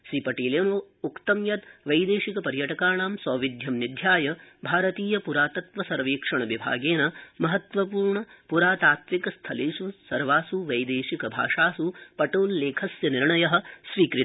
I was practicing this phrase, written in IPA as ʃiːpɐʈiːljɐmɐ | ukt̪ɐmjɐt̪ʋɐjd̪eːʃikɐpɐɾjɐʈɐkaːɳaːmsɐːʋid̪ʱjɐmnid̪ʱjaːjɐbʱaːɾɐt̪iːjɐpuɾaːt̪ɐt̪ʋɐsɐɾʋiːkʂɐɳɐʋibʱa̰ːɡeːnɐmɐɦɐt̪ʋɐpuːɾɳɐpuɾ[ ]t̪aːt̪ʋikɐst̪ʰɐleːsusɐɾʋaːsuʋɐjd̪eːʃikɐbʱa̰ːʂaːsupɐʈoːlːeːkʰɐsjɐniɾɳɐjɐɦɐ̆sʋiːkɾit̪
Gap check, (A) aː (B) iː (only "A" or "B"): A